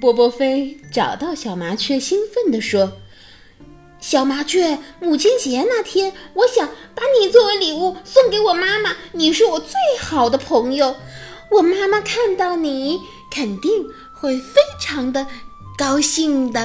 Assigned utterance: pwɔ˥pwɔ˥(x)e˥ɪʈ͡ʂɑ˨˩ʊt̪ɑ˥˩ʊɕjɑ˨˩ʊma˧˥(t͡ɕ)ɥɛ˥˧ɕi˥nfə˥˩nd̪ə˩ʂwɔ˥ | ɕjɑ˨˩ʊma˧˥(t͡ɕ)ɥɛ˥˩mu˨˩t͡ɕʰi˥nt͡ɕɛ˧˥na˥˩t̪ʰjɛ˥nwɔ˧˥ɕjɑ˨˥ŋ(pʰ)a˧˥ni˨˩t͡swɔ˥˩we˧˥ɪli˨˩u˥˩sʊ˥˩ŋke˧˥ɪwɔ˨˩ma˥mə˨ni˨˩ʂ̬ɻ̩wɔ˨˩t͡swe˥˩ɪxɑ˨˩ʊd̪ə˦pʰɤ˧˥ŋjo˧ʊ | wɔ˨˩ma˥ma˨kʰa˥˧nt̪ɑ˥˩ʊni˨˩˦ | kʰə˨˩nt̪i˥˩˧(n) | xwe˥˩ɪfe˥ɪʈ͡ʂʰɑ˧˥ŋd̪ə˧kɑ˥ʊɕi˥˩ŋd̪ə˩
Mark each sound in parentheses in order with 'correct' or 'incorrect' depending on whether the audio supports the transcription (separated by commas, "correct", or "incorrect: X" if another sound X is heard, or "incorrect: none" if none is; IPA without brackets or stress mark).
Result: incorrect: f, incorrect: t͡ɕʰ, incorrect: t͡ɕʰ, incorrect: p, incorrect: ŋ